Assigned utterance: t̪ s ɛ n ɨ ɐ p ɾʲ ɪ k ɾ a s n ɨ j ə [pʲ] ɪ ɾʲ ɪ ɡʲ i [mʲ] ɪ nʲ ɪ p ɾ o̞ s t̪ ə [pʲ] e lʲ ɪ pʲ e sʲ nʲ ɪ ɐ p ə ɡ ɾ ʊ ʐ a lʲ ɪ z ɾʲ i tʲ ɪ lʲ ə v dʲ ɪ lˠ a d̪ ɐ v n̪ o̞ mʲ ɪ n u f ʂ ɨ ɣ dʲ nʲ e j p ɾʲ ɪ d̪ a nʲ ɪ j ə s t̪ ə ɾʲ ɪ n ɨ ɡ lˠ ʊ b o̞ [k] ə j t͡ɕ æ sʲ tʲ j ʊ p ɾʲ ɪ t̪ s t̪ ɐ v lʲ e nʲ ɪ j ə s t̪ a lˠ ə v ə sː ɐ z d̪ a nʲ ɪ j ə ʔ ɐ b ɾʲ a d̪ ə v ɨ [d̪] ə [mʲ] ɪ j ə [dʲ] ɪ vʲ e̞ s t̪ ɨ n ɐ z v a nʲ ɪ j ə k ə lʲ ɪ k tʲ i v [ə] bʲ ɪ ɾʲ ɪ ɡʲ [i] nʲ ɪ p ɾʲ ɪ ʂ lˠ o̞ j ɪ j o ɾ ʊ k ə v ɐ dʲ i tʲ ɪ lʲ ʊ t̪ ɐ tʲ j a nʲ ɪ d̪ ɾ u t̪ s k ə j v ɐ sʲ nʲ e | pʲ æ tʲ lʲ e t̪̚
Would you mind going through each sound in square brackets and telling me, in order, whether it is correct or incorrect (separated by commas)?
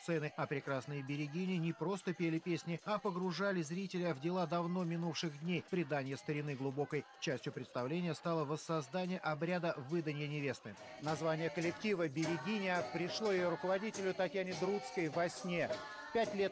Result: incorrect, incorrect, correct, correct, correct, incorrect, incorrect, correct, correct